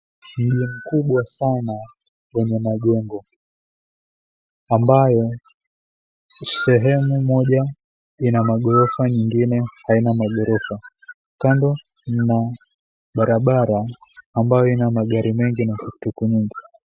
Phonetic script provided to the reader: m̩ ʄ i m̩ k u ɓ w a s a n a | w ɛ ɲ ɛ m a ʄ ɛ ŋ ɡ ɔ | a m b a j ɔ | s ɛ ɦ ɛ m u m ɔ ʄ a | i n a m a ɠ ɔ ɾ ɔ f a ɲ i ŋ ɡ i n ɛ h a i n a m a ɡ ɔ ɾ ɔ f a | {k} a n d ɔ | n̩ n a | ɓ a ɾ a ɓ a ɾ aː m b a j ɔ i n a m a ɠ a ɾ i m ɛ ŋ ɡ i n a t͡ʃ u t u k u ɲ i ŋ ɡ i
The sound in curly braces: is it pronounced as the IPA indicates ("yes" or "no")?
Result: yes